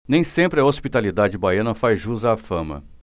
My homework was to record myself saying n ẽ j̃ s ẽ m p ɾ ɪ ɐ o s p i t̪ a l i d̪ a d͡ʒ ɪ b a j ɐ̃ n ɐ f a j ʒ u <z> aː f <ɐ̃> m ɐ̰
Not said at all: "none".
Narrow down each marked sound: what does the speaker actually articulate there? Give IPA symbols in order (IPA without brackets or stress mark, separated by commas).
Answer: z, ɐ̃